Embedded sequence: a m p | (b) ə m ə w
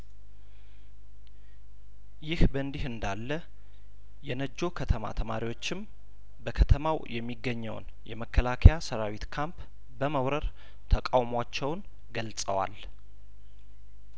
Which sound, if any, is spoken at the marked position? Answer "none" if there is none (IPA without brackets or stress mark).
b